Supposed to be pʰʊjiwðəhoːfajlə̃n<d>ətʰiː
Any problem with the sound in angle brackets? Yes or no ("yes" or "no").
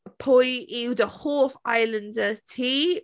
no